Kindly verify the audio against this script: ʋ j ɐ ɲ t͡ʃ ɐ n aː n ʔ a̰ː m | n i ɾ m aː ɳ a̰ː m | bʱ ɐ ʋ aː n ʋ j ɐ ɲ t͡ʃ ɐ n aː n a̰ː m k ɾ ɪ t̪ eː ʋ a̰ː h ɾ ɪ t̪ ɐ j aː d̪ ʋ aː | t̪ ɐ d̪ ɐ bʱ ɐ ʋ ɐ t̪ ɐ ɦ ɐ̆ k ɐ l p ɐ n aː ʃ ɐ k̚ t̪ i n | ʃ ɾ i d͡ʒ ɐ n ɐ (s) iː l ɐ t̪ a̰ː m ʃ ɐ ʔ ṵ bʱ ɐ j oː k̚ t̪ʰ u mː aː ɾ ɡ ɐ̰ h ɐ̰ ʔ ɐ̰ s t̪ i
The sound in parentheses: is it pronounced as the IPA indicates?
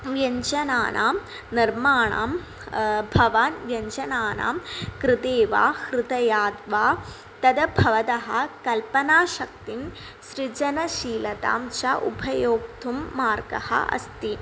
no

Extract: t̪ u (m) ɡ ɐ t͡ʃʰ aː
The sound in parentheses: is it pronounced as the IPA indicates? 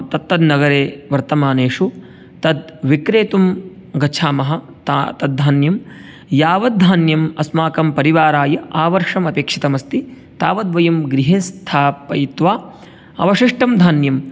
yes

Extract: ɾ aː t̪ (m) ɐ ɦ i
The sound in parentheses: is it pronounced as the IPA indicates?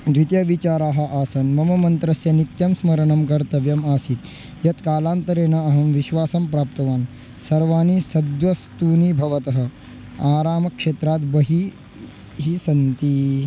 no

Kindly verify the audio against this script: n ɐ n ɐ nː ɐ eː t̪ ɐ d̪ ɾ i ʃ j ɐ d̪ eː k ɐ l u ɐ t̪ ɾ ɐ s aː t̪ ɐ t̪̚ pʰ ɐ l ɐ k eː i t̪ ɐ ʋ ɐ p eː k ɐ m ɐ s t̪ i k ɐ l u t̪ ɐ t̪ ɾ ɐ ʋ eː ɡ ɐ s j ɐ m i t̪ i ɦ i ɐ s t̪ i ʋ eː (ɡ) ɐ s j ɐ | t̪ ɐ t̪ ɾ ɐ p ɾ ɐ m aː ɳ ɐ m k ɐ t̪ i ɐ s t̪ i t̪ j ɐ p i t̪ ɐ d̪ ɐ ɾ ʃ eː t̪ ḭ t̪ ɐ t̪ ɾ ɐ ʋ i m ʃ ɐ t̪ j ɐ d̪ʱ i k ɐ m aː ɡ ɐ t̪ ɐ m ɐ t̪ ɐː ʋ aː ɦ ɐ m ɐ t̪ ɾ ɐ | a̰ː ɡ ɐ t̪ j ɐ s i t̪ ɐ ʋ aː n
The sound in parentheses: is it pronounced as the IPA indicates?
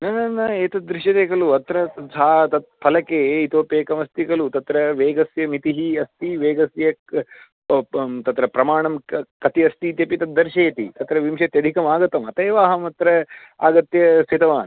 yes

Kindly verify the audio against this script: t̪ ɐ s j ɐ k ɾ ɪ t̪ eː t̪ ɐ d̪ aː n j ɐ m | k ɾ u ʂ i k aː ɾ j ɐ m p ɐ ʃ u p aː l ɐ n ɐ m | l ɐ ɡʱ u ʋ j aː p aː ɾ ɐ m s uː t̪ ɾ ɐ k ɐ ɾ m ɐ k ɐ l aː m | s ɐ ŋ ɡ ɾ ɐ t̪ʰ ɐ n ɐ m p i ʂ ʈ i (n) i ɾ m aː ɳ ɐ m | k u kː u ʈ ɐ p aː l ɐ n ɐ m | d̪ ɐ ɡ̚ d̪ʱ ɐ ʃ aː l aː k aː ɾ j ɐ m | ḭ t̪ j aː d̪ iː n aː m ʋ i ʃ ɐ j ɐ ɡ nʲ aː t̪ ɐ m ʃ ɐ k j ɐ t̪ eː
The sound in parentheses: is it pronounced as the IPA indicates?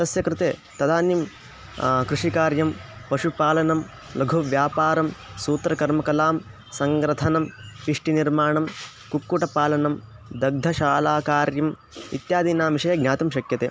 yes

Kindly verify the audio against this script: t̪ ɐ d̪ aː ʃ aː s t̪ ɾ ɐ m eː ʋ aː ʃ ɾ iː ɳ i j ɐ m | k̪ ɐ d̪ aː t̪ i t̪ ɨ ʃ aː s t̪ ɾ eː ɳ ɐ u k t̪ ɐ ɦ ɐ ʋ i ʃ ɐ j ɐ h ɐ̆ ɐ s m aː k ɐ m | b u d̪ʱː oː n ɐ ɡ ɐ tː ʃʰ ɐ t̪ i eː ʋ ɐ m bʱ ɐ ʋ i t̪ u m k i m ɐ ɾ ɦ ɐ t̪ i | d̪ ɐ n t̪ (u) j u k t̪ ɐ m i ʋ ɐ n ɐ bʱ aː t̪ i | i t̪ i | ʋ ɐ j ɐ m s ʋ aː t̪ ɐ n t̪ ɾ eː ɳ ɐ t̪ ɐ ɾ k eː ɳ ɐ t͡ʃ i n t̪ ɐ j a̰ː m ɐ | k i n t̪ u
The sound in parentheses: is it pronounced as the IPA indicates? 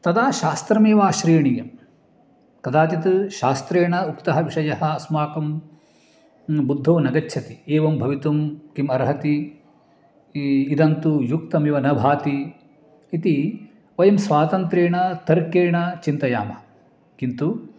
yes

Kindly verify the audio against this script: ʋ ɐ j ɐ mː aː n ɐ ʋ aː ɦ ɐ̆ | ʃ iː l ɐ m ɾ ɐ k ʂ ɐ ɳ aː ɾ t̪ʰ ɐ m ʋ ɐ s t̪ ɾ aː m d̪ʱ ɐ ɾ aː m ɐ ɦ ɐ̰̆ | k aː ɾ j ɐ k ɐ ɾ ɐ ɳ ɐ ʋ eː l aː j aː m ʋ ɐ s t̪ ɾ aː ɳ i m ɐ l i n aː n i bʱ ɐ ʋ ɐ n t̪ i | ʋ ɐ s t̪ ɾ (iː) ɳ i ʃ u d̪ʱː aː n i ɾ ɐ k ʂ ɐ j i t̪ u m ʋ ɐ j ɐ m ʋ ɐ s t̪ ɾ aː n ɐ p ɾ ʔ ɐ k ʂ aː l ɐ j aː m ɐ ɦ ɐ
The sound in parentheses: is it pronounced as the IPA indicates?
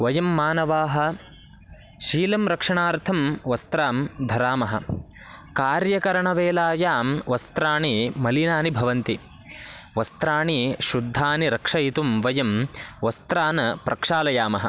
no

